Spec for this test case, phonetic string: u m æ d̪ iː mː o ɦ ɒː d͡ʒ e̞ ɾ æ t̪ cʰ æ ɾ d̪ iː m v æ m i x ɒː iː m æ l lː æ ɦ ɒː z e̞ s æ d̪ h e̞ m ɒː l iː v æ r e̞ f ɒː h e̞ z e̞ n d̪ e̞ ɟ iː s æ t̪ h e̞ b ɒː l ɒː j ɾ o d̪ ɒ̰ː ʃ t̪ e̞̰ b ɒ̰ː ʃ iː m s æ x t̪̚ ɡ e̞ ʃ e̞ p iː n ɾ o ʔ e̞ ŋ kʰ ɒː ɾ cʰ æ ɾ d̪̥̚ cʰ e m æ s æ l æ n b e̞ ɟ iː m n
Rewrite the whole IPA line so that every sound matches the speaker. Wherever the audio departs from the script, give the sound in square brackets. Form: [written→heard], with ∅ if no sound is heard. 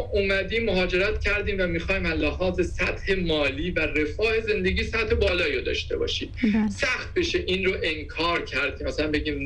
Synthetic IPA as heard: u m æ d̪ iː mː o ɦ ɒː d͡ʒ e̞ ɾ æ t̪ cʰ æ ɾ d̪ iː m v æ m i x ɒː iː m æ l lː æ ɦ ɒː z e̞ s æ [d̪→t̪] h e̞ m ɒː l iː v æ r e̞ f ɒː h e̞ z e̞ n d̪ e̞ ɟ iː s æ t̪ h e̞ b ɒː l ɒː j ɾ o d̪ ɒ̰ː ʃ t̪ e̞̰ b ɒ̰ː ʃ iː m s æ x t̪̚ [ɡ→b] e̞ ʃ e̞ [p→ʔ] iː n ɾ o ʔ e̞ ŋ kʰ ɒː ɾ cʰ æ ɾ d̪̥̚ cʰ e m æ s æ l æ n b e̞ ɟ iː m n